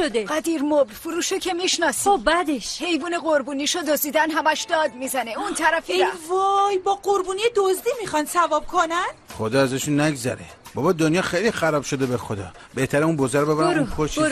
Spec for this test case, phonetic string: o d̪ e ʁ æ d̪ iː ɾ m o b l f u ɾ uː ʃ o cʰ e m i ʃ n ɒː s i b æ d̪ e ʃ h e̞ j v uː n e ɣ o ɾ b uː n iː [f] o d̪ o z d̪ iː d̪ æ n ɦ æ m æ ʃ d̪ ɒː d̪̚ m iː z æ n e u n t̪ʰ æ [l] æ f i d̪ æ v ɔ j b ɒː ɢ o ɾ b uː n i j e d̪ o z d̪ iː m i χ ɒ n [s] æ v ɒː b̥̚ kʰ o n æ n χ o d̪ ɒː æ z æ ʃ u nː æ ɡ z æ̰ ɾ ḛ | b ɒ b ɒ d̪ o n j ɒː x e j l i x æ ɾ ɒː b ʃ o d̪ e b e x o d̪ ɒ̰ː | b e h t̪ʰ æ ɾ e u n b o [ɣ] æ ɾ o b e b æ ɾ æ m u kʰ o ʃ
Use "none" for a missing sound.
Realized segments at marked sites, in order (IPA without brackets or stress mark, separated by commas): ʃ, ɾ, s, z